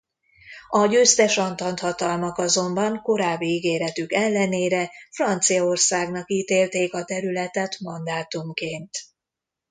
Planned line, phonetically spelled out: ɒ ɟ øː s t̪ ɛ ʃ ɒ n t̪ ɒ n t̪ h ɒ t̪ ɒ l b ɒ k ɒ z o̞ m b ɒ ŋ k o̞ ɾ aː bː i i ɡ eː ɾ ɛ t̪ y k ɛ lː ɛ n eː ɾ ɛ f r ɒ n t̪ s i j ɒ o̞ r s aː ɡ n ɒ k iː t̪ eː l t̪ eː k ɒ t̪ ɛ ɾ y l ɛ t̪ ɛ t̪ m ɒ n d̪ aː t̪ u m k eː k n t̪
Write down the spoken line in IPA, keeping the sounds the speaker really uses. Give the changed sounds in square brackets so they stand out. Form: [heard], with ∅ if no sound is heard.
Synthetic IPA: ɒ ɟ øː s t̪ ɛ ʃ ɒ n t̪ ɒ n t̪ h ɒ t̪ ɒ l [m] ɒ k ɒ z o̞ m b ɒ ŋ k o̞ ɾ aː bː i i ɡ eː ɾ ɛ t̪ y k ɛ lː ɛ n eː ɾ ɛ f r ɒ n t̪ s i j ɒ o̞ r s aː ɡ n ɒ k iː t̪ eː l t̪ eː k ɒ t̪ ɛ ɾ y l ɛ t̪ ɛ t̪ m ɒ n d̪ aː t̪ u m k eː [∅] n t̪